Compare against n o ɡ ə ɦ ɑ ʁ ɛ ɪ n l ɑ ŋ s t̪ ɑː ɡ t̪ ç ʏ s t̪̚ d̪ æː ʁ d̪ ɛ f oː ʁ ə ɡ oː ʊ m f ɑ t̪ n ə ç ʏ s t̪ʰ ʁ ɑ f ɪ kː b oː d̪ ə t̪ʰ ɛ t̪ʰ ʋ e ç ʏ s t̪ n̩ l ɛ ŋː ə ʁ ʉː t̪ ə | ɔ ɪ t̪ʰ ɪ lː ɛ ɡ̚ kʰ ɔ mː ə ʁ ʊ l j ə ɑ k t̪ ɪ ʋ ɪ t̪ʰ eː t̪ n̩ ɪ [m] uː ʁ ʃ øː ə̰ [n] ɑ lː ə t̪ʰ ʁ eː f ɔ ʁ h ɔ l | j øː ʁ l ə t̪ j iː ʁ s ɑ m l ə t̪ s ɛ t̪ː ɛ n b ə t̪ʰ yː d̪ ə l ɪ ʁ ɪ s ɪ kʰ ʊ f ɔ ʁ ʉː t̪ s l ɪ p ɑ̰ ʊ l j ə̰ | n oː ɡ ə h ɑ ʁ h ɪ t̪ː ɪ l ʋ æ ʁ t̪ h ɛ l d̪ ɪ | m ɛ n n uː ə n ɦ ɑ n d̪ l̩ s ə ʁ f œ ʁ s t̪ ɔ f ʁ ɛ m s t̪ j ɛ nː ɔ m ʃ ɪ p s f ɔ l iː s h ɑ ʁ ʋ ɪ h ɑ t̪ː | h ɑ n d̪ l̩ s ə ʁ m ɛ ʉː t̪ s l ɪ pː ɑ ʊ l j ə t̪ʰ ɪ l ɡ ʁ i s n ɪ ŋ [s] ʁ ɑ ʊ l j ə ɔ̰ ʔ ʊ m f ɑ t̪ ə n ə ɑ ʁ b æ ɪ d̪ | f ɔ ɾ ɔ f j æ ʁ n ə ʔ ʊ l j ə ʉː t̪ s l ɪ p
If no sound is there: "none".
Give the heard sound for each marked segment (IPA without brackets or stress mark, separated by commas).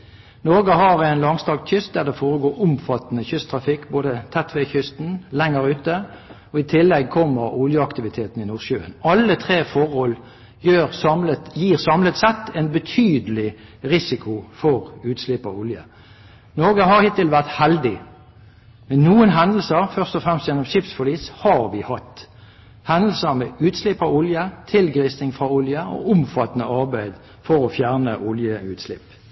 n, n, f